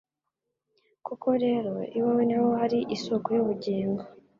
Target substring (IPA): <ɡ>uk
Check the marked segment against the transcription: incorrect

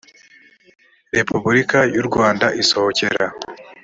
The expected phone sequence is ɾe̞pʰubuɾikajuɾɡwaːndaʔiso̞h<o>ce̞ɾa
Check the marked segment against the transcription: correct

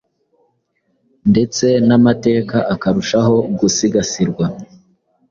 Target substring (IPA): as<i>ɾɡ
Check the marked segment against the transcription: correct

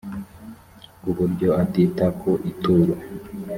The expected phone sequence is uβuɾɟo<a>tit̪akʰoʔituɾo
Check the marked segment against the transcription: correct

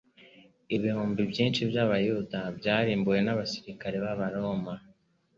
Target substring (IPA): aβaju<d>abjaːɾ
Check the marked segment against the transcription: correct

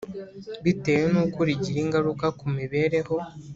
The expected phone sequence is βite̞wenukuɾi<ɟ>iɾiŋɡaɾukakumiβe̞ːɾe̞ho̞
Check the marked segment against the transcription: correct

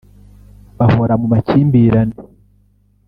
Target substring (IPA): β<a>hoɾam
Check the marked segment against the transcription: correct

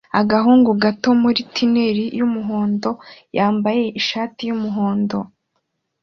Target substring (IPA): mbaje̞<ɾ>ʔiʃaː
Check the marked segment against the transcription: incorrect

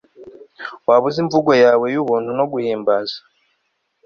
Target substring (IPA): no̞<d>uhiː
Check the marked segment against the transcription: incorrect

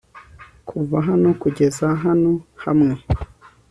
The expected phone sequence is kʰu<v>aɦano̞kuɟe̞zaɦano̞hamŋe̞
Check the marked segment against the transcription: correct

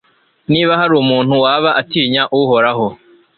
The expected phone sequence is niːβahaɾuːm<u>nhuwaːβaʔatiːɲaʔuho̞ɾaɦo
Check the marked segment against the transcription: incorrect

